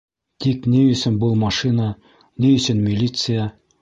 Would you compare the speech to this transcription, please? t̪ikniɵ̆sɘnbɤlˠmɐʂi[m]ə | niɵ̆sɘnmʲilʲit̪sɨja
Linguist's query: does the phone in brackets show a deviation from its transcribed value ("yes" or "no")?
yes